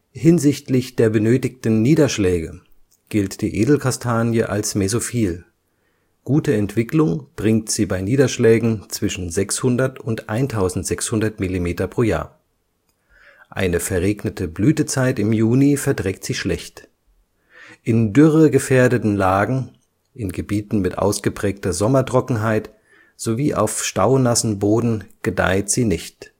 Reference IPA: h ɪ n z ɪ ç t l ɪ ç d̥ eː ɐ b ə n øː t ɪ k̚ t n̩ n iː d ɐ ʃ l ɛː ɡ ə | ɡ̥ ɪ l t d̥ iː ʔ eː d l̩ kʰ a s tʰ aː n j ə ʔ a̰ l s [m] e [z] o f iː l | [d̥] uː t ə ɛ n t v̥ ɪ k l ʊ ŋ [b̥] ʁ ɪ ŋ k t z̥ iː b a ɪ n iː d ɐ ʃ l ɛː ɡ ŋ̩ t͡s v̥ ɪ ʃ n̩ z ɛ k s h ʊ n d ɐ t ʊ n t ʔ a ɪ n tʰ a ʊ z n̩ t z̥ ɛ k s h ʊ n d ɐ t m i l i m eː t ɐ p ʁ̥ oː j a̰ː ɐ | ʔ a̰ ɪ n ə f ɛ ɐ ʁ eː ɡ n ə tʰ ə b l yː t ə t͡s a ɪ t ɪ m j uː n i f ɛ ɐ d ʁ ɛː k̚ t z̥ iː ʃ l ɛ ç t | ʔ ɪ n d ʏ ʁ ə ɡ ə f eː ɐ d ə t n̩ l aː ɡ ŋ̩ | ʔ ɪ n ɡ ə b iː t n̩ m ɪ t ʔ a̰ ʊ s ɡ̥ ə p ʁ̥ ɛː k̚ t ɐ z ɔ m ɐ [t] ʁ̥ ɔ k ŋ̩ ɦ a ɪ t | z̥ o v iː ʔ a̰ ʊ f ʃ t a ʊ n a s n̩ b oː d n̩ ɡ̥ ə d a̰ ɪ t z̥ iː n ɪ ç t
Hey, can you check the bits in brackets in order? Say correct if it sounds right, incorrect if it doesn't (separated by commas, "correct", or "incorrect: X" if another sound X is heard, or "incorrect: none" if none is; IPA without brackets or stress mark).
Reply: correct, correct, incorrect: ɡ̥, correct, correct